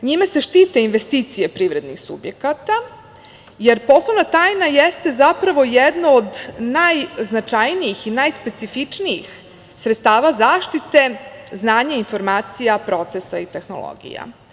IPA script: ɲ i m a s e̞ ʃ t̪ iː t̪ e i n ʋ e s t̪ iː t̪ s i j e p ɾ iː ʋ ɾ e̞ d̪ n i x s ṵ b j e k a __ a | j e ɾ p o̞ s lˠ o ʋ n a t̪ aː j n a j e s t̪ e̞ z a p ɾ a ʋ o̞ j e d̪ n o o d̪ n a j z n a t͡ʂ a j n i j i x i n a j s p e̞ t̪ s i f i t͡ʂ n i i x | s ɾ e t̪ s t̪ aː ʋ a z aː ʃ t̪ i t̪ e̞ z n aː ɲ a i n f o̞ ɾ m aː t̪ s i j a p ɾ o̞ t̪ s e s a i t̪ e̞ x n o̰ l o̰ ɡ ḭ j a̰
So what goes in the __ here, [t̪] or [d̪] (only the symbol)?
t̪